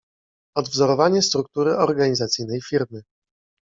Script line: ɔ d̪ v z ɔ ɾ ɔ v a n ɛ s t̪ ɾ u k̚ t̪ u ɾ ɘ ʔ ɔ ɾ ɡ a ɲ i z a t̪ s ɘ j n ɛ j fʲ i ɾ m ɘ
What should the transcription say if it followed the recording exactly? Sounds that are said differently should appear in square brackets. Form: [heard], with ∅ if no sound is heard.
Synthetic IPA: ɔ d̪ v z ɔ ɾ ɔ v a [ɲ] ɛ s t̪ ɾ u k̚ t̪ u ɾ ɘ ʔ ɔ ɾ ɡ a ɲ i z a t̪ s ɘ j n ɛ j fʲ i ɾ m ɘ